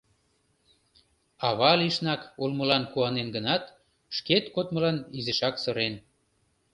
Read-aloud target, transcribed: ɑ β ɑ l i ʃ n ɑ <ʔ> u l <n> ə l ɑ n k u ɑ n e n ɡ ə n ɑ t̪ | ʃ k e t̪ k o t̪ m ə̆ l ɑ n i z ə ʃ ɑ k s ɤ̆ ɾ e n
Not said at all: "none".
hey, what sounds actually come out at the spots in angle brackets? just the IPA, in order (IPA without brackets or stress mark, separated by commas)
k, m